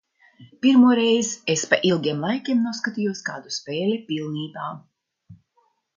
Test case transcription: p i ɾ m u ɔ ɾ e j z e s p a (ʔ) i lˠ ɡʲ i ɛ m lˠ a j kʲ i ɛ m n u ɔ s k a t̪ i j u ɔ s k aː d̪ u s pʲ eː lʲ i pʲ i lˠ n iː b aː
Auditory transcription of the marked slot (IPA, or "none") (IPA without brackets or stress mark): ʔ